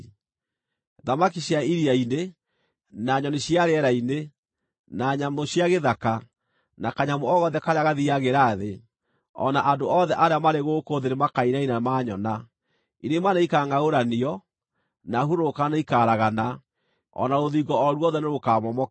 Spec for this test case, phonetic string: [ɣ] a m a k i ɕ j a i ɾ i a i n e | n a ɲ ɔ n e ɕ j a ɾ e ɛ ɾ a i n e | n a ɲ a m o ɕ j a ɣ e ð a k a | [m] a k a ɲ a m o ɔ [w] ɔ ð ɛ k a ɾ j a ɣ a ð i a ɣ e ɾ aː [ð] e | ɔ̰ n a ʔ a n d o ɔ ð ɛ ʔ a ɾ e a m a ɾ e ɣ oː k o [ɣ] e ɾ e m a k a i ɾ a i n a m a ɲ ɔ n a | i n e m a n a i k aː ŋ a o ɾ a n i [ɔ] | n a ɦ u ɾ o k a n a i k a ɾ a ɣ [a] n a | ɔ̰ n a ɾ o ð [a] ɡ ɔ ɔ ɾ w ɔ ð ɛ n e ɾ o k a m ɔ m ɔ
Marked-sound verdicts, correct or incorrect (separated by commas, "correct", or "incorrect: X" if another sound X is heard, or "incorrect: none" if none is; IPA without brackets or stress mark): incorrect: ð, incorrect: n, incorrect: ɣ, correct, incorrect: ð, correct, correct, incorrect: i